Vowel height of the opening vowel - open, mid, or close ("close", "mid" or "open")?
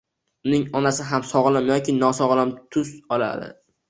close